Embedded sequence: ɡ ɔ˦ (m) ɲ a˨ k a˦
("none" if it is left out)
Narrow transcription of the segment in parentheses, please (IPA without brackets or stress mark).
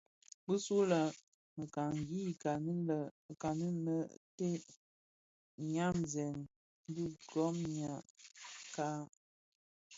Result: m